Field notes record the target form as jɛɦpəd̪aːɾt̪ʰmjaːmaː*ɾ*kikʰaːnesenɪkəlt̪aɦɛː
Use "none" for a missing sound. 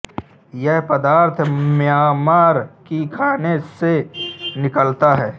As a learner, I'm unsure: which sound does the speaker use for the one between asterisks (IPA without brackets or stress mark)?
ɾ